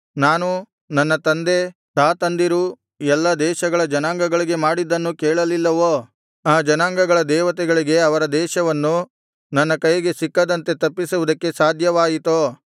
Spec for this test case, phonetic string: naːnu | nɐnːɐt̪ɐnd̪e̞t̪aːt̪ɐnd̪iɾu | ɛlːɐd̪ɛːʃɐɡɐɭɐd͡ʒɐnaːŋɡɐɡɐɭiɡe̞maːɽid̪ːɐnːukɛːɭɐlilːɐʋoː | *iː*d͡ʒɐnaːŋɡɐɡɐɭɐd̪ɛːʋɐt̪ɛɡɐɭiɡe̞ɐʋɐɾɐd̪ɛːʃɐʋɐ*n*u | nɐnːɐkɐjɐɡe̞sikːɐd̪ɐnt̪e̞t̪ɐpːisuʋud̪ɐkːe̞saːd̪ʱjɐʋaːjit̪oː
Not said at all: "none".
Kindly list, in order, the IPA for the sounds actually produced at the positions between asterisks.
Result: aː, nː

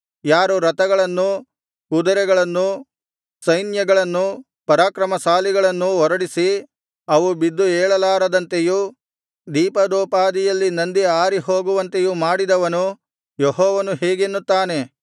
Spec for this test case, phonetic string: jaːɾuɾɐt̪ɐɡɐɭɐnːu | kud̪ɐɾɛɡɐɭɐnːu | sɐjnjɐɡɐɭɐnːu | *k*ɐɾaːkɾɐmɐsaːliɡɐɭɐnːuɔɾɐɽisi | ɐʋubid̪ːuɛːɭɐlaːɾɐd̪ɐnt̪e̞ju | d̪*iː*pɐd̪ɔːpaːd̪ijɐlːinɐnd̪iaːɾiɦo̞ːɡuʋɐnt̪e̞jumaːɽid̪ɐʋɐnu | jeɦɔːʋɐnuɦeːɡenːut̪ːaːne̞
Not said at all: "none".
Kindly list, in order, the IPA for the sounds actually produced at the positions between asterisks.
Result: p, iː

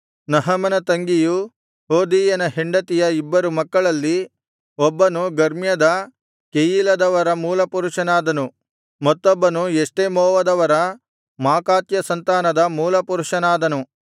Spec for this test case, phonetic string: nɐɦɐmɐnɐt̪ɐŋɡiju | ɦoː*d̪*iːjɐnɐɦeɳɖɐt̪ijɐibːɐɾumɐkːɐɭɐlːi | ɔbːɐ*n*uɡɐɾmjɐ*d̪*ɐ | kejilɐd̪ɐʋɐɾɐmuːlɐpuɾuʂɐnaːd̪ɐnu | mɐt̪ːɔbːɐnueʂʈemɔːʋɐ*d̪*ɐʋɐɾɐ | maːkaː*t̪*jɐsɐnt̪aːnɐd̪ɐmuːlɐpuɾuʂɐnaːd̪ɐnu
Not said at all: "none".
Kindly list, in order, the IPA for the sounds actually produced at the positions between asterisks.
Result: d̪, n, d̪, d̪, t̪

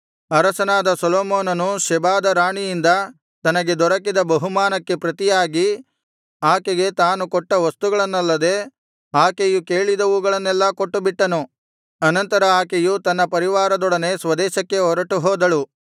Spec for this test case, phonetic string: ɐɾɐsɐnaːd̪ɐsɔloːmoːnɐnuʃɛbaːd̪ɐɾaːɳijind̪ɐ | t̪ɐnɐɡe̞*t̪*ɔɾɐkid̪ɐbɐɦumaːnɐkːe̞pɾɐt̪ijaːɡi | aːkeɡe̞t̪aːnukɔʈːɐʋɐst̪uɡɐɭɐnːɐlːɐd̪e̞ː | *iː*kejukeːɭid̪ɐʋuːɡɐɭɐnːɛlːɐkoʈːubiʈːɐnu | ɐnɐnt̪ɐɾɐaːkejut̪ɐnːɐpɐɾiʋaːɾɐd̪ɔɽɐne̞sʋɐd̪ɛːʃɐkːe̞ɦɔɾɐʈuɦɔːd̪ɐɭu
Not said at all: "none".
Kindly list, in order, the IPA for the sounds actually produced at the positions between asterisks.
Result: d̪, aː

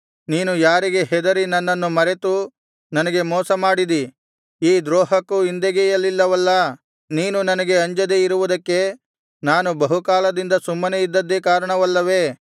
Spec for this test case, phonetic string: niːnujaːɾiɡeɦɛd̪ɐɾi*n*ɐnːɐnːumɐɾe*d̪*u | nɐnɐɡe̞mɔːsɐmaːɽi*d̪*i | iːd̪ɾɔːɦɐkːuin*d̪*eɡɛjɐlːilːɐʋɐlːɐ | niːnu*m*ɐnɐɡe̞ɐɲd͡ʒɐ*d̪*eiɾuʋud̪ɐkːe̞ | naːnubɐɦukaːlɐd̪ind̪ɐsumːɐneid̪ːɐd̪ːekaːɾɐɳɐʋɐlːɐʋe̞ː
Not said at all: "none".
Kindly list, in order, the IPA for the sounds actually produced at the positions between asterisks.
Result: n, t̪, d̪, d̪, n, d̪

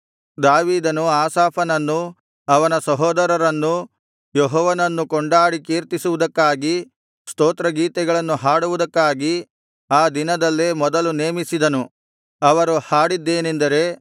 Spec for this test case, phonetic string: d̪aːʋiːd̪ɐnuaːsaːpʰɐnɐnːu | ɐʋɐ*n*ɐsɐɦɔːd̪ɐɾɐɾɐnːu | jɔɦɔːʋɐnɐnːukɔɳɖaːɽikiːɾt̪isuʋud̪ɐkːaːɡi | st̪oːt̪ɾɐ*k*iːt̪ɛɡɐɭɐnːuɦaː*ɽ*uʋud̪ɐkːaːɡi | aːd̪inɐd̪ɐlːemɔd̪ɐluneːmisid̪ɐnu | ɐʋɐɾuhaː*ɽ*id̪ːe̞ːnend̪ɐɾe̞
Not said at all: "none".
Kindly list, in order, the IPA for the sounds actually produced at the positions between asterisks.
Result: n, ɡ, ɽ, ɽ

